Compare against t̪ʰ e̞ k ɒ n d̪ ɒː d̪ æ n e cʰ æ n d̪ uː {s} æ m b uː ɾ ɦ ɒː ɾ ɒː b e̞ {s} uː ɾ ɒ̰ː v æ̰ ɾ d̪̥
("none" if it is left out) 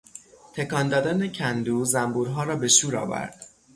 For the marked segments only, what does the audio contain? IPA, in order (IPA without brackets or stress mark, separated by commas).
z, ʃ